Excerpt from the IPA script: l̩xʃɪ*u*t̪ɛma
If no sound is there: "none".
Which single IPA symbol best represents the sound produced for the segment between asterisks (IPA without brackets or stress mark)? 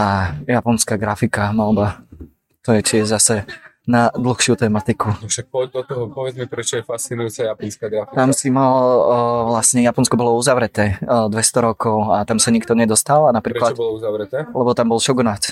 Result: u